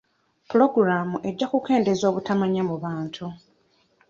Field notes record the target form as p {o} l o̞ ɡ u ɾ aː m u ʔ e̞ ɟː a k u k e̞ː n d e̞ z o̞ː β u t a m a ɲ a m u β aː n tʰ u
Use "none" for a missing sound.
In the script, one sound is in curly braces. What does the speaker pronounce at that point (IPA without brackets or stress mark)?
u